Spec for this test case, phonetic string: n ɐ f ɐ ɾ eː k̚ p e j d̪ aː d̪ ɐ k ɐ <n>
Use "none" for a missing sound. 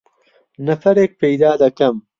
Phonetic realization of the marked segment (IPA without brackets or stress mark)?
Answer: m